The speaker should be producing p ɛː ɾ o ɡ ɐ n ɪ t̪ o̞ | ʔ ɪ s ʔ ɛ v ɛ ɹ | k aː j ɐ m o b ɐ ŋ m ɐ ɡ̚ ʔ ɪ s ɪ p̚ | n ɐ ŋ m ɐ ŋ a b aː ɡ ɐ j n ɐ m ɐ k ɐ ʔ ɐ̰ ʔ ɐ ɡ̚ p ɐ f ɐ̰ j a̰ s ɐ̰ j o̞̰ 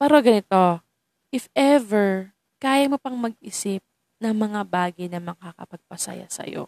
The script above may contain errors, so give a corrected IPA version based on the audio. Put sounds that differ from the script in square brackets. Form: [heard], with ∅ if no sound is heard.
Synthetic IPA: p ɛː ɾ o ɡ ɐ n ɪ t̪ o̞ | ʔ ɪ [f] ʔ ɛ v ɛ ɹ | k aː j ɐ m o [p] ɐ ŋ m ɐ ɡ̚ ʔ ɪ s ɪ p̚ | n ɐ ŋ m ɐ ŋ a b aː ɡ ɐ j n ɐ m ɐ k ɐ [k] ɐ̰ [p] ɐ ɡ̚ p ɐ [s] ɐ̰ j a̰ s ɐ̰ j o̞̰